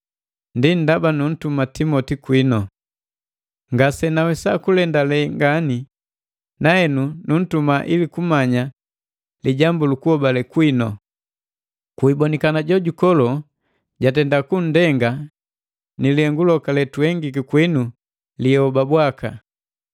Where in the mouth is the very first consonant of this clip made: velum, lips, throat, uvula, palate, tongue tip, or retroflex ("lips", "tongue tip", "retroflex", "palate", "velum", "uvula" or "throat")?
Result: tongue tip